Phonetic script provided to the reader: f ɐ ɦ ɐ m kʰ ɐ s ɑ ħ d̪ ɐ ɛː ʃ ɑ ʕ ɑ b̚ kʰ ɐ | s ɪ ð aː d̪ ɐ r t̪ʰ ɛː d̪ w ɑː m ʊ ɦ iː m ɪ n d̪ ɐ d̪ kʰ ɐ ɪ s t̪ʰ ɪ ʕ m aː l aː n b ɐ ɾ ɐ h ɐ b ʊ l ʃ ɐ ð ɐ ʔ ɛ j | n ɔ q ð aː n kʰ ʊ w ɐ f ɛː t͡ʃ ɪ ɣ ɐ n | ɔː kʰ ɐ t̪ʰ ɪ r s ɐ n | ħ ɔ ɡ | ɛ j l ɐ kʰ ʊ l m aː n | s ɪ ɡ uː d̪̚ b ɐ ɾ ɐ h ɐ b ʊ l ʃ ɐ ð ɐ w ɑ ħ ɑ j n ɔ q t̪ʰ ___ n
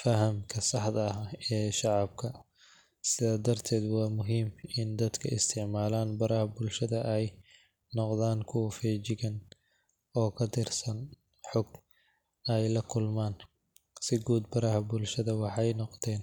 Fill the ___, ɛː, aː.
ɛː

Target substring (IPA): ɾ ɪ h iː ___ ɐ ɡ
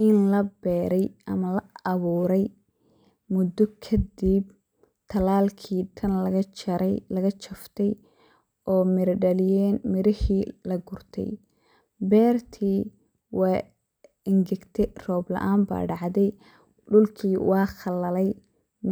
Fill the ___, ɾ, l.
l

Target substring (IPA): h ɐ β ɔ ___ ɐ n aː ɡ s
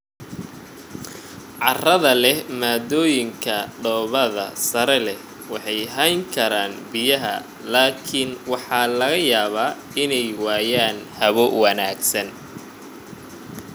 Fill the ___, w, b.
w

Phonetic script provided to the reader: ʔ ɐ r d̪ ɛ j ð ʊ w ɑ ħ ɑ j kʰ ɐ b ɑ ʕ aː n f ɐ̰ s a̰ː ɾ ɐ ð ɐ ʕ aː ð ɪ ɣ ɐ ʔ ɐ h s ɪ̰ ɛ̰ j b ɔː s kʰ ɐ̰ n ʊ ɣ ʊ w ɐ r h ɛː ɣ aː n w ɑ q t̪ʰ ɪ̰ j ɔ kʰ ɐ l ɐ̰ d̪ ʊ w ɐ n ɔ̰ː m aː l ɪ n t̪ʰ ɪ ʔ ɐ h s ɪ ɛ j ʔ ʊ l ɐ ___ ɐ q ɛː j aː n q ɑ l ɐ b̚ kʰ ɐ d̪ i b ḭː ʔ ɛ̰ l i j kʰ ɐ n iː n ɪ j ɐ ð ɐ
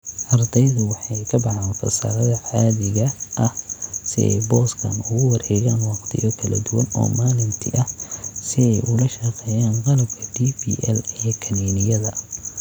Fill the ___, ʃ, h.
ʃ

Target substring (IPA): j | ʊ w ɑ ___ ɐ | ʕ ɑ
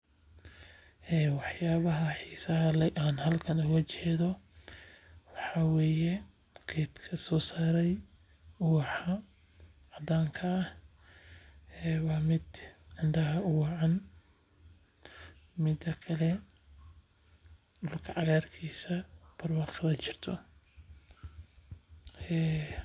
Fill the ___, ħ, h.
ħ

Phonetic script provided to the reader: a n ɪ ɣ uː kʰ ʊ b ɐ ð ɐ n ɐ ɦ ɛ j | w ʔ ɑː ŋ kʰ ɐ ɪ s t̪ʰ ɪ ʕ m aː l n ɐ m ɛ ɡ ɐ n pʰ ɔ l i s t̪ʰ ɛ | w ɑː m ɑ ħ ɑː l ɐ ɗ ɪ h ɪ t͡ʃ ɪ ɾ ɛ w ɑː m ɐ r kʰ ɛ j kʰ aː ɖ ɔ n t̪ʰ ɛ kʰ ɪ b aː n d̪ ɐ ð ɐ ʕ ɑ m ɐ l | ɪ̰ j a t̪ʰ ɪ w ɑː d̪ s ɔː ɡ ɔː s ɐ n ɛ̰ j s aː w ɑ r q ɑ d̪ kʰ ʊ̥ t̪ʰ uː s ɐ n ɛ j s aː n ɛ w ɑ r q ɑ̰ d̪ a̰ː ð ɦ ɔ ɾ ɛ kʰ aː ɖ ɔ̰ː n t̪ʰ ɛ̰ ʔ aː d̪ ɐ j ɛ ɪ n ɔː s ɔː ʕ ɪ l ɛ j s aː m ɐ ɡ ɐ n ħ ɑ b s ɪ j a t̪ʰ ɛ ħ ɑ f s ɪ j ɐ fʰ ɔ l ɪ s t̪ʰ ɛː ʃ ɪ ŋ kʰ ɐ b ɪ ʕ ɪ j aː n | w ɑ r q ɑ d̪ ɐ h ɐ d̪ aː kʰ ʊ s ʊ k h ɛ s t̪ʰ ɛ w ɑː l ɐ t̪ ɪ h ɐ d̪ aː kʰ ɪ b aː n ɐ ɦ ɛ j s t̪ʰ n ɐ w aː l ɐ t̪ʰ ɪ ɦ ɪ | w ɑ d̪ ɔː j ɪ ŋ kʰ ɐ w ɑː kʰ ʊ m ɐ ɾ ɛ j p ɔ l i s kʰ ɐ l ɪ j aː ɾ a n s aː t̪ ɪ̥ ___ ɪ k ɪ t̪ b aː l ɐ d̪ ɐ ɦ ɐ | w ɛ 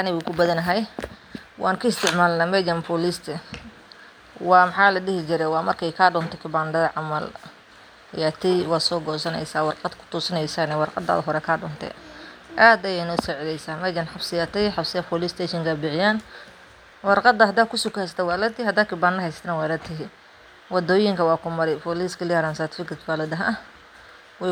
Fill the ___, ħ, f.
f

